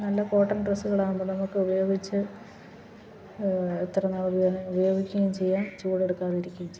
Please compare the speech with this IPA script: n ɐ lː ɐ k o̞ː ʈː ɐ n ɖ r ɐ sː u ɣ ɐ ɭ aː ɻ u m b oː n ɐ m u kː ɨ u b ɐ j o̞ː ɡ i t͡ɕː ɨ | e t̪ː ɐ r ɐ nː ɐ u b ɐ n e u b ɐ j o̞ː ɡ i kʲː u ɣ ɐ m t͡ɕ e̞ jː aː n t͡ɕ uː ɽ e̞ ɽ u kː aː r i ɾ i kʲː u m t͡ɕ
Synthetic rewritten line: n ɐ lː ɐ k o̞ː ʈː ɐ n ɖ r ɐ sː u ɣ ɐ ɭ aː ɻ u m b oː n ɐ m u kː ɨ u b ɐ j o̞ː ɡ i t͡ɕː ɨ | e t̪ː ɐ r ɐ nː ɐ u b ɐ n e u b ɐ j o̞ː ɡ i kʲː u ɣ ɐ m t͡ɕ e̞ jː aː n t͡ɕ uː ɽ e̞ ɽ u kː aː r i ɾ i kʲː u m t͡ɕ